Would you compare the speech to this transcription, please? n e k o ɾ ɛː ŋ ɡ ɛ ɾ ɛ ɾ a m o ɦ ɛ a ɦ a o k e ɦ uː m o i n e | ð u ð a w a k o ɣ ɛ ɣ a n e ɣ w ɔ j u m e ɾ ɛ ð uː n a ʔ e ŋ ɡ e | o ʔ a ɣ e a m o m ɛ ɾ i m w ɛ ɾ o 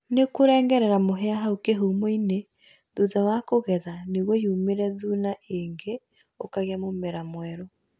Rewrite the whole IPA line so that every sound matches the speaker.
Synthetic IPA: n e k o ɾ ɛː ŋ ɡ ɛ ɾ ɛ ɾ a m o ɦ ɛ a ɦ a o k e ɦ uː m o i n e | ð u ð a w a k o ɣ ɛ ð a n e ɣ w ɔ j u m e ɾ ɛ ð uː n a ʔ e ŋ ɡ e | o k a ɣ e a m o m ɛ ɾ a m w ɛ ɾ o